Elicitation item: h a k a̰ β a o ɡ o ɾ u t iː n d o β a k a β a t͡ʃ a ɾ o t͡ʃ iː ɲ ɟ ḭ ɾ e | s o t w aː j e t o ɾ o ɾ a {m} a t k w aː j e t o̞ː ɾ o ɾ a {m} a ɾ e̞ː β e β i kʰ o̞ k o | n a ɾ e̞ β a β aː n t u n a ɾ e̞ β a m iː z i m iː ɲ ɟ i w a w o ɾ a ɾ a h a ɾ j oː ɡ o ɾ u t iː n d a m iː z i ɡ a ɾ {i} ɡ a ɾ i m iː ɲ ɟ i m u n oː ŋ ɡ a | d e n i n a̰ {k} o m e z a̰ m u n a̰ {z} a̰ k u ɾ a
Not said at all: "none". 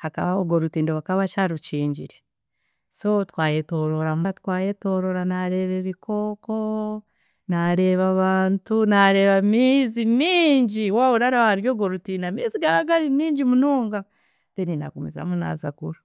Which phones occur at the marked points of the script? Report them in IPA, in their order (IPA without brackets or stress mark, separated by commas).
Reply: m, n, a, k, z